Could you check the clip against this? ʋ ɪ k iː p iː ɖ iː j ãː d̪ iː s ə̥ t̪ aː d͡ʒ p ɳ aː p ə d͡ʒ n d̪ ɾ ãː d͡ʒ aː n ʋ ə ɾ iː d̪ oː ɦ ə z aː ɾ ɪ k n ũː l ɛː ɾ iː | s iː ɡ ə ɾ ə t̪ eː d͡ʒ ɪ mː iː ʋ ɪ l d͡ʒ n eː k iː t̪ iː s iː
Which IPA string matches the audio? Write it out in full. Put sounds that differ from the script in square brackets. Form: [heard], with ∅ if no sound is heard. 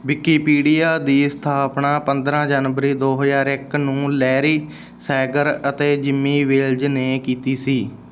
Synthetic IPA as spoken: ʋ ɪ k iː p iː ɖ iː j [aː] d̪ iː s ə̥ [t̪ʰ] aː [∅] p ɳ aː p ə [∅] n d̪ ɾ ãː d͡ʒ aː n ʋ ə ɾ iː d̪ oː ɦ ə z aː ɾ ɪ k n ũː l ɛː ɾ iː | s [ɛː] ɡ ə ɾ ə t̪ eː d͡ʒ ɪ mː iː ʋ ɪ l d͡ʒ n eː k iː t̪ iː s iː